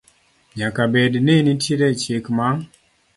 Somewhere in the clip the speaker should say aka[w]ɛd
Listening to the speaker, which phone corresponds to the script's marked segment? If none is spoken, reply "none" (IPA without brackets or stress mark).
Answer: b